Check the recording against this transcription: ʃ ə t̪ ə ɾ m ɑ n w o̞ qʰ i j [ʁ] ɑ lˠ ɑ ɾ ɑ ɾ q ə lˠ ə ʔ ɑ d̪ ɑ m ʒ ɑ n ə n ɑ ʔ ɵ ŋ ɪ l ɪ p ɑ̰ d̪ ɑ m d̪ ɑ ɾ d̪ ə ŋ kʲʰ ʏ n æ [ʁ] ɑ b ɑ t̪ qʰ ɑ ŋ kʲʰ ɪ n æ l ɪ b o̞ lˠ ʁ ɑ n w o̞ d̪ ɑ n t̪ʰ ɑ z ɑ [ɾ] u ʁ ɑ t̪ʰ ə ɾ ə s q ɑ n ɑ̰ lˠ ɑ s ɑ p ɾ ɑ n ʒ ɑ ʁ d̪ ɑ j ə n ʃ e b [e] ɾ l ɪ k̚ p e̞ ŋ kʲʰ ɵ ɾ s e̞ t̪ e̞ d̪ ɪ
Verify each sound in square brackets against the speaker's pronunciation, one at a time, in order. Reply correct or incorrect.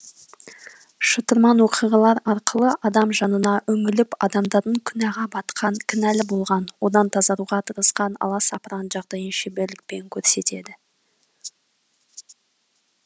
correct, correct, correct, correct

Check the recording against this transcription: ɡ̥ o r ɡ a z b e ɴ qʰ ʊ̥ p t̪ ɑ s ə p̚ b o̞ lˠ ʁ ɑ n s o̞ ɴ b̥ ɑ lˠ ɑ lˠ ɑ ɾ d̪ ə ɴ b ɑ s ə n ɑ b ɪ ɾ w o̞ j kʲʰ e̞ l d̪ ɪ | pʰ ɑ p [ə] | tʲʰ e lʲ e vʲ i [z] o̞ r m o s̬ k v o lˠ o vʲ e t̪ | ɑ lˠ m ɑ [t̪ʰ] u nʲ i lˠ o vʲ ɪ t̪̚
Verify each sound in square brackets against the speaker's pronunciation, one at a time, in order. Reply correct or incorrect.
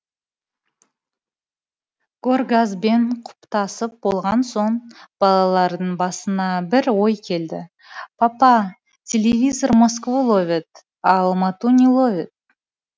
incorrect: ɑ, correct, incorrect: t̪

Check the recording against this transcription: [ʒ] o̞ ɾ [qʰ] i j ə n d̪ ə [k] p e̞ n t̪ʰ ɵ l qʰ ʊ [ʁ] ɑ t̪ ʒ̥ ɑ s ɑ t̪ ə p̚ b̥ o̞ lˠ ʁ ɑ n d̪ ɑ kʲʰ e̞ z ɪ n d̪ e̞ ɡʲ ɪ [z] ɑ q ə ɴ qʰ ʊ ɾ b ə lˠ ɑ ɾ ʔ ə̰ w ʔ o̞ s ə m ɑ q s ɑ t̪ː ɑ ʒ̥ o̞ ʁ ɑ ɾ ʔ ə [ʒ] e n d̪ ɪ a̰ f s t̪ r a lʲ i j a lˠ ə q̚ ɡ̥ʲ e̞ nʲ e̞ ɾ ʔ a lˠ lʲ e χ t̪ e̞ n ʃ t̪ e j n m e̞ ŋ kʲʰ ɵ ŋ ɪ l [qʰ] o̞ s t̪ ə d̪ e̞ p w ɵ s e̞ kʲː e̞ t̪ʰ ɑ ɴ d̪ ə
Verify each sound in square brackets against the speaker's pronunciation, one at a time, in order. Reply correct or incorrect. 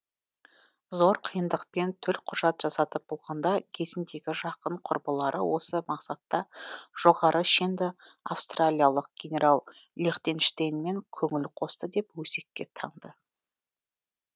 incorrect: z, correct, incorrect: q, incorrect: ʒ, incorrect: ʒ, incorrect: ʃ, correct

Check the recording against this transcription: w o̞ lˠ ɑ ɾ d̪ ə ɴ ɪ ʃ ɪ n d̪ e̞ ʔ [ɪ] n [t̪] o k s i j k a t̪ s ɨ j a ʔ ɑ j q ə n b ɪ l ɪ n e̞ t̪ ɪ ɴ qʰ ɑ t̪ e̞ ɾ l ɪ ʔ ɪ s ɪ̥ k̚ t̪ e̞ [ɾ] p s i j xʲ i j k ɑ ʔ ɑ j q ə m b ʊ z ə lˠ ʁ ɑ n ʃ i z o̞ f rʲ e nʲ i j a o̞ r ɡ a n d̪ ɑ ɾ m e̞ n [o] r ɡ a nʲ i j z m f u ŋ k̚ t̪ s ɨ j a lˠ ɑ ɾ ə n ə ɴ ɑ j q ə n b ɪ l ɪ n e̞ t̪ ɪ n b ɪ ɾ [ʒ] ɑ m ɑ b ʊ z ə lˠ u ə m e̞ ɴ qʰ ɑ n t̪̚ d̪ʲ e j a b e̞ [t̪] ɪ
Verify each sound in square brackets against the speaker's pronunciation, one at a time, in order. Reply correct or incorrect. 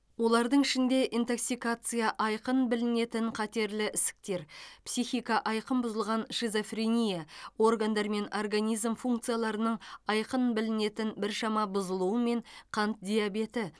incorrect: i, correct, correct, correct, incorrect: ʃ, correct

